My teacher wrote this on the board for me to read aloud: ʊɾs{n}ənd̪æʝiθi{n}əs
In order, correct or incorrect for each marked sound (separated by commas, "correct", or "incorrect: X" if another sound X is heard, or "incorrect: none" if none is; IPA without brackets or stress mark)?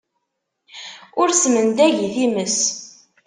incorrect: m, incorrect: m